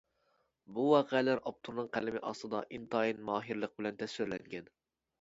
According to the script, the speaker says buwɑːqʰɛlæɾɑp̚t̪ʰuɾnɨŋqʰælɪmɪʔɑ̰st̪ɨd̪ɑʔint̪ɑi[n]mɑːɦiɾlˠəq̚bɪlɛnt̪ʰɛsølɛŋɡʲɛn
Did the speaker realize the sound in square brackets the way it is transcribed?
yes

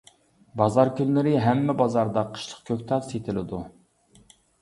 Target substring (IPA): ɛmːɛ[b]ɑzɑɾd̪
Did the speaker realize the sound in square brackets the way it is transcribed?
yes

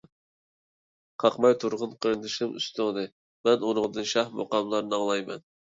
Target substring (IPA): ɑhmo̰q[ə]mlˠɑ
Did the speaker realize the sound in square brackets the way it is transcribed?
no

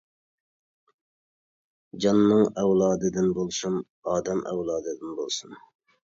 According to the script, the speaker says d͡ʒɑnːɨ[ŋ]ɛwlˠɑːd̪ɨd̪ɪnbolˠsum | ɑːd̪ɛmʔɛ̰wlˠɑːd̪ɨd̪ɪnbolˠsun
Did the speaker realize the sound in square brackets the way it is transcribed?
yes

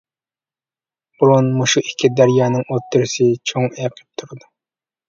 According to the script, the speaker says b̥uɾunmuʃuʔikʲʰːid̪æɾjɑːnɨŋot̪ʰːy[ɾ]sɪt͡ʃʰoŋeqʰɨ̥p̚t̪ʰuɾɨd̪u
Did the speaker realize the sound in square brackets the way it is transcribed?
yes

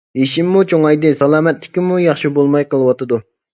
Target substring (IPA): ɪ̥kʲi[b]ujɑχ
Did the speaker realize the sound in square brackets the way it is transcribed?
no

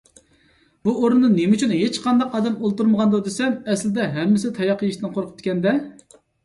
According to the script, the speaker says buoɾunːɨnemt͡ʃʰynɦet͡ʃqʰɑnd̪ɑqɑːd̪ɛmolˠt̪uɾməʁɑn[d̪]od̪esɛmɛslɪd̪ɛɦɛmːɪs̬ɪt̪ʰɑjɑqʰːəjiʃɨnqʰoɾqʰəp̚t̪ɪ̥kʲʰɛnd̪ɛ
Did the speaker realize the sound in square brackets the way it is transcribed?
yes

